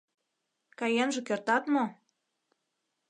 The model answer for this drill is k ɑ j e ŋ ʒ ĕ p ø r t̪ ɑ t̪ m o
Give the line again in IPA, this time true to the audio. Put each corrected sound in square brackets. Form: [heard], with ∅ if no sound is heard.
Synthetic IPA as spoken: k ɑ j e [n] ʒ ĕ [k] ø r t̪ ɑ t̪ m o